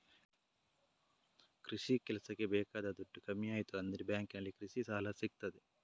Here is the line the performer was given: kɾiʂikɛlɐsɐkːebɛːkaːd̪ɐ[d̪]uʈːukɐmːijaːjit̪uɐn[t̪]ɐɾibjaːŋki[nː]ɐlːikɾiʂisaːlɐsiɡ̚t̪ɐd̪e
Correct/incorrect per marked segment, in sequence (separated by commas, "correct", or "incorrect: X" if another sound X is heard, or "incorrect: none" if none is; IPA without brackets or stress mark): correct, incorrect: d̪, incorrect: n